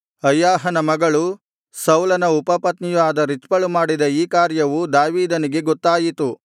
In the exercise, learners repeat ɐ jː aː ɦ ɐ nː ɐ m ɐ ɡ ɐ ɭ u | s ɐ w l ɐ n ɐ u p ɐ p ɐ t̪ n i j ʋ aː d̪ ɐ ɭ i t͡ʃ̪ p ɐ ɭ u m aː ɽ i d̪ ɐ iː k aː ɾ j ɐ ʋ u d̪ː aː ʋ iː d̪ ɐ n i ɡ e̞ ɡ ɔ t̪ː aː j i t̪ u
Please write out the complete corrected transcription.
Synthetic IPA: ɐ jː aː ɦ ɐ n ɐ m ɐ ɡ ɐ ɭ u | s ɐ w l ɐ n ɐ u p ɐ p ɐ t̪ n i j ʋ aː d̪ ɐ ɾ i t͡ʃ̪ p ɐ ɭ u m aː ɽ i d̪ ɐ iː k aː ɾ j ɐ ʋ u d̪ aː ʋ iː d̪ ɐ n i ɡ e̞ ɡ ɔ t̪ː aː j i t̪ u